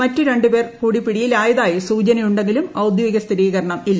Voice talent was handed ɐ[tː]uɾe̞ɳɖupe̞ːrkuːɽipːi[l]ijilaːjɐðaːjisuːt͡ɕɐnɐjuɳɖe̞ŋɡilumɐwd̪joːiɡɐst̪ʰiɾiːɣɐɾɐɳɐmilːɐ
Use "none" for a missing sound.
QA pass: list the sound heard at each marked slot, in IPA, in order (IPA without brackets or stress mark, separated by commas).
tː, ɽ